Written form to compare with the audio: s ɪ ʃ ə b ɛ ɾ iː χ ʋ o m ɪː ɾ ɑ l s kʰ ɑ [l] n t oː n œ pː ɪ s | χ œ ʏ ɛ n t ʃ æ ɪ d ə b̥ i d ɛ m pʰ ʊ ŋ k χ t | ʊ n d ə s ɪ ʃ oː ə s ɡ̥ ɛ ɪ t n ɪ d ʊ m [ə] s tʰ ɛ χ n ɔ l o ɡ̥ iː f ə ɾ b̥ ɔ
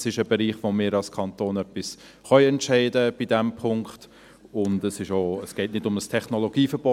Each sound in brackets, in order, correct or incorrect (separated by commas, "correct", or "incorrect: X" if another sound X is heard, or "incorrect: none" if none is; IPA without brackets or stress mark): incorrect: none, correct